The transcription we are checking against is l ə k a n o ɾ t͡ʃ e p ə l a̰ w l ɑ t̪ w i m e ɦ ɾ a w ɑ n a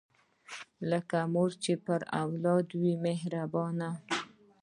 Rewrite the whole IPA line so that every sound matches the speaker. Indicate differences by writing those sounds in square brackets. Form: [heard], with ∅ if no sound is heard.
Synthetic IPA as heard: l ə k a [m] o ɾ t͡ʃ e p ə [ɾ] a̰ w l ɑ [d̪] w i m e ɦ ɾ a [b] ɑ n a